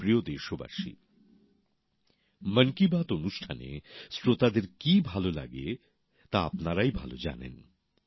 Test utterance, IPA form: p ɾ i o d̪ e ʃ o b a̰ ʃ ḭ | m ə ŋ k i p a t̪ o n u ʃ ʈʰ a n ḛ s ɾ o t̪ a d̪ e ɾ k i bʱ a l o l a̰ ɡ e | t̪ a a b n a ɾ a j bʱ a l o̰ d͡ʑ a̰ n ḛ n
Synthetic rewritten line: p ɾ i o d̪ e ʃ o b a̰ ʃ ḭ | m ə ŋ k i b a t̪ o n u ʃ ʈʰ a n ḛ s ɾ o t̪ a d̪ e ɾ k i bʱ a l o l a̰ ɡ e | t̪ a a p n a ɾ a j bʱ a l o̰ d͡ʑ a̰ n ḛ n